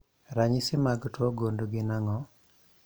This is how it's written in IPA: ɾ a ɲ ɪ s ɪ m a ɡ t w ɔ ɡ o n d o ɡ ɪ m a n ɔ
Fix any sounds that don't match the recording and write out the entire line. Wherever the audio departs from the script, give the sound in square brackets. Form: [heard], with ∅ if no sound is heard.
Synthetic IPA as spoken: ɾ a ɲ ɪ s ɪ m a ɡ t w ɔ ɡ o n d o ɡ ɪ [n] a [ŋ] ɔ